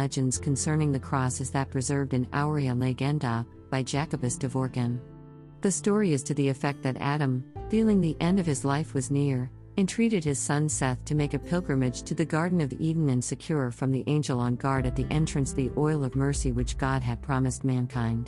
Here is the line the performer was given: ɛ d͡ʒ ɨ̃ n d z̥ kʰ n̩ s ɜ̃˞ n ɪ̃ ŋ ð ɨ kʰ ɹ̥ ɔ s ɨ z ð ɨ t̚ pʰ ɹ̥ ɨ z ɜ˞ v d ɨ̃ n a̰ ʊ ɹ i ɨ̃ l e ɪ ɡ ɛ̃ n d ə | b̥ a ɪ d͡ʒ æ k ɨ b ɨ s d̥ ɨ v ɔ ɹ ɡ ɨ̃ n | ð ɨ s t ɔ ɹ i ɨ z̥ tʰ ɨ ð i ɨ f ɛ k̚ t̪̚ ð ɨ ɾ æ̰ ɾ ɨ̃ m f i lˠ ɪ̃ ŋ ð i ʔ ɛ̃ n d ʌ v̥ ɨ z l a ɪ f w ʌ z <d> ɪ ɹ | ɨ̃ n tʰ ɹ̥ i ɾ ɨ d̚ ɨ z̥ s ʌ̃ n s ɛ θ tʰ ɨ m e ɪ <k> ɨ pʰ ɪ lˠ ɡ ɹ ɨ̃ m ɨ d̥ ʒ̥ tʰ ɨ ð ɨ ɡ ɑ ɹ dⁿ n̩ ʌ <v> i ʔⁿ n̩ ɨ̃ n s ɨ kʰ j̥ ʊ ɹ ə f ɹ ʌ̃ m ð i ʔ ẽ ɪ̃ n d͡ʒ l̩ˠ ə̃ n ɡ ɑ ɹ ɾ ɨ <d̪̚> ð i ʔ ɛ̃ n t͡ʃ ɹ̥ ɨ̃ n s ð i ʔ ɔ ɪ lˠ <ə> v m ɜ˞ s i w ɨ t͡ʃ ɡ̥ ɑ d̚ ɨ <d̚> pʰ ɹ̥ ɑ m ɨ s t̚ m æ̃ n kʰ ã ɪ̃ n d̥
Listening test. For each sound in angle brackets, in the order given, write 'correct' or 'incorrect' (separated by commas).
incorrect, correct, correct, incorrect, incorrect, correct